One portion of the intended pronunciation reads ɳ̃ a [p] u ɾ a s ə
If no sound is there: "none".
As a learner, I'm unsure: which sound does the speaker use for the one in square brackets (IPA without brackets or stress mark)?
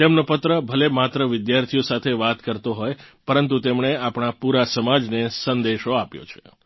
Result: p